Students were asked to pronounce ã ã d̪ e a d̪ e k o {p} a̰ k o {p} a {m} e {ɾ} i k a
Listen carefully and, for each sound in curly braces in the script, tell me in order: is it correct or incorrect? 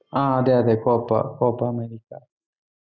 correct, correct, correct, correct

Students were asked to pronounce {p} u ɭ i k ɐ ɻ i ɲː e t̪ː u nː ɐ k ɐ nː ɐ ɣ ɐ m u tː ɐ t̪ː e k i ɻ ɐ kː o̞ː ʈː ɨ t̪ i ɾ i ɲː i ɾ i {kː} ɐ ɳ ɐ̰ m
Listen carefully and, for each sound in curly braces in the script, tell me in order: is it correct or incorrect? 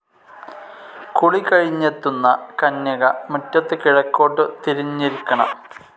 incorrect, correct

